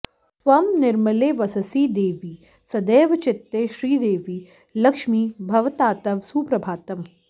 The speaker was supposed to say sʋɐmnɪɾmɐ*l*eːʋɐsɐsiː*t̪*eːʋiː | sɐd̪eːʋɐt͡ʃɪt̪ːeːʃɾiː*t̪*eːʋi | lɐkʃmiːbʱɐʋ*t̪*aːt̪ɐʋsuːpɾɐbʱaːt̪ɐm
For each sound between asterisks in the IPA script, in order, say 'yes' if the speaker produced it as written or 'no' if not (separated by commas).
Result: yes, no, no, yes